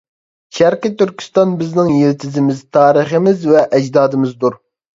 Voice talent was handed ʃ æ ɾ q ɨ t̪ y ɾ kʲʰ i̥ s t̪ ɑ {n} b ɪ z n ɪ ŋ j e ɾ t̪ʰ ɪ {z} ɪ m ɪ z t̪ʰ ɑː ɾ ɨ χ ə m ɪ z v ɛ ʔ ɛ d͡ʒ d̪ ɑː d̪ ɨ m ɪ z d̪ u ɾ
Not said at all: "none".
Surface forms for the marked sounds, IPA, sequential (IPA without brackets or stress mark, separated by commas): n, z